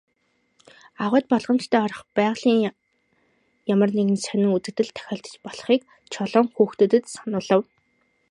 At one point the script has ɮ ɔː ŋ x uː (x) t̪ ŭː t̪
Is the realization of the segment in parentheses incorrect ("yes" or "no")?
no